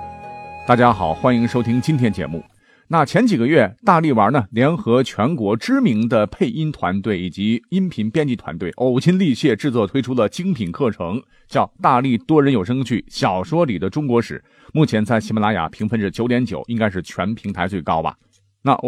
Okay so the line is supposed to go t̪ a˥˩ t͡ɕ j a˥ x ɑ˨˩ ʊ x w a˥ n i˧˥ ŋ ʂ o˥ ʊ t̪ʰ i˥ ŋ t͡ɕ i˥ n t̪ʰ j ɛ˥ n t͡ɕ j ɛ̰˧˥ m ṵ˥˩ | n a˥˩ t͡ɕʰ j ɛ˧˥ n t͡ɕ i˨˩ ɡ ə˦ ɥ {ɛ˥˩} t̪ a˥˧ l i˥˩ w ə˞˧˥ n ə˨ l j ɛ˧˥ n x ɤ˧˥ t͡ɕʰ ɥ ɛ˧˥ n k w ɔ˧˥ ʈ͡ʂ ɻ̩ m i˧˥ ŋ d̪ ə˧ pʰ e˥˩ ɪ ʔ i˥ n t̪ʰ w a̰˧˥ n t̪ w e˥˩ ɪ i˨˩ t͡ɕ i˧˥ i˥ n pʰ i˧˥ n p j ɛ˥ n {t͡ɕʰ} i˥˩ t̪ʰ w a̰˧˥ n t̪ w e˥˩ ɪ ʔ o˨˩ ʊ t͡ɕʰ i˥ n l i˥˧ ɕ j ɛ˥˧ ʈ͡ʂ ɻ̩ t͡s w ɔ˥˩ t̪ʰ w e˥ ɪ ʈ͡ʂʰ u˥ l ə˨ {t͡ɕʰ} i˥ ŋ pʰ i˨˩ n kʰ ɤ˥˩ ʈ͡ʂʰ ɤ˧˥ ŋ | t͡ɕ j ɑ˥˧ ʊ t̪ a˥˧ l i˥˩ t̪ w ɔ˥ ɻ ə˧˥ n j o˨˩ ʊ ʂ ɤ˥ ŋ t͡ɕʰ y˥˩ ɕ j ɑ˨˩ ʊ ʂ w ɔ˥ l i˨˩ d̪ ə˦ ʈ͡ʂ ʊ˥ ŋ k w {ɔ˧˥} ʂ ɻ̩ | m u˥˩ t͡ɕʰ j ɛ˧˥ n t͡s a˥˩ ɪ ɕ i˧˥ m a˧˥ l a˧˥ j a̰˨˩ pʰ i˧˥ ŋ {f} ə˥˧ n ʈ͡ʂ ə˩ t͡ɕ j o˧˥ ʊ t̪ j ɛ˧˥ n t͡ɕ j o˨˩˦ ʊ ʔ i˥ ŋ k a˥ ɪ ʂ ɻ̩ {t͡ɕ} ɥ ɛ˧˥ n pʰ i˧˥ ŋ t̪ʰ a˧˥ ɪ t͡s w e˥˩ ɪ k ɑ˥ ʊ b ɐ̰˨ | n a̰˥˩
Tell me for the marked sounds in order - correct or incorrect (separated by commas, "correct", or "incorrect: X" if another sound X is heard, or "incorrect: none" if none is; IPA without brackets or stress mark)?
correct, incorrect: t͡ɕ, incorrect: t͡ɕ, correct, correct, incorrect: t͡ɕʰ